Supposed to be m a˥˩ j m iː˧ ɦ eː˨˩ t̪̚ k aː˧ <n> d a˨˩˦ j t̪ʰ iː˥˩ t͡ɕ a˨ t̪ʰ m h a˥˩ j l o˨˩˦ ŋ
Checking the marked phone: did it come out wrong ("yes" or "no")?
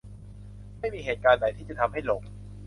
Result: no